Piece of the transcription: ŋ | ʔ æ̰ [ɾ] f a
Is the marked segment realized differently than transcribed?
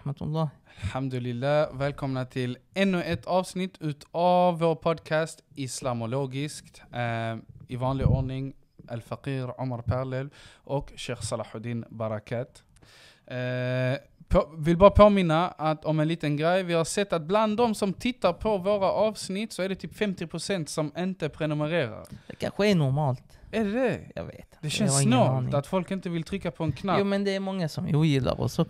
yes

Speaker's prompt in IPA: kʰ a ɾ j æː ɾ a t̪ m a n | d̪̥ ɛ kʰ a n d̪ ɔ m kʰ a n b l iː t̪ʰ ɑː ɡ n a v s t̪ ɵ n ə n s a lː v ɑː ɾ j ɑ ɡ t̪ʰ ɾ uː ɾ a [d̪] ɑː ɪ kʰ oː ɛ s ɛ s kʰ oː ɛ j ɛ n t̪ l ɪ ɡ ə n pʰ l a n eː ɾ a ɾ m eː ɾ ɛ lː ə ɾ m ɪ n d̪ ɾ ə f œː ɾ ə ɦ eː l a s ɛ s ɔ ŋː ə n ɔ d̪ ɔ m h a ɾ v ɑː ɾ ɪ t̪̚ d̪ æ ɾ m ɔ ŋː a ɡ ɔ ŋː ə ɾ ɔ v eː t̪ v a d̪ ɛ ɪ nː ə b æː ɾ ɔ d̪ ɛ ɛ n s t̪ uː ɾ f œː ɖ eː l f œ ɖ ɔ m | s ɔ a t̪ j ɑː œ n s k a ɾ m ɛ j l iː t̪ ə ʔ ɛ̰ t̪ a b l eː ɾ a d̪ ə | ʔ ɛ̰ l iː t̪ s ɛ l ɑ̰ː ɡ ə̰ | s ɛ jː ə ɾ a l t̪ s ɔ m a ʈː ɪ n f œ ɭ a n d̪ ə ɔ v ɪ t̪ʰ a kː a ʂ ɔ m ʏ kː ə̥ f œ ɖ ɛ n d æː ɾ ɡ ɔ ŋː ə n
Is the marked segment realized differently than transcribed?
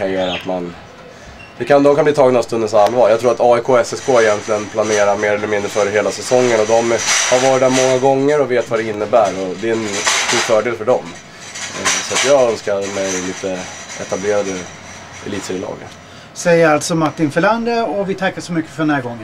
yes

